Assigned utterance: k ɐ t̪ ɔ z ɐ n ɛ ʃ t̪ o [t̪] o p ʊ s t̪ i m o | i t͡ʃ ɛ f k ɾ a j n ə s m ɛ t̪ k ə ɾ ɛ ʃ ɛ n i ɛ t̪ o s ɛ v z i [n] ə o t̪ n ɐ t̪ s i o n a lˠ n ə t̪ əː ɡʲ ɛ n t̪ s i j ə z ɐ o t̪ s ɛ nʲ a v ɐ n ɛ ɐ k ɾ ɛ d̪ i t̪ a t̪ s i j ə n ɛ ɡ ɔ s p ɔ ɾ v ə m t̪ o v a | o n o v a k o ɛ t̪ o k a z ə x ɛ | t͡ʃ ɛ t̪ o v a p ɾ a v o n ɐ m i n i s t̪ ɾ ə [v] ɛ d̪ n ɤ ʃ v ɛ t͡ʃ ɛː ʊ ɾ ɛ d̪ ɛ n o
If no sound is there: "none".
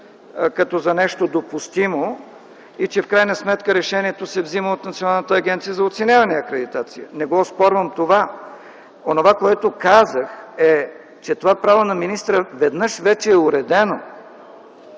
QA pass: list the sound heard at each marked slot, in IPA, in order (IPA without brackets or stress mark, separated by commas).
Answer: d̪, m, v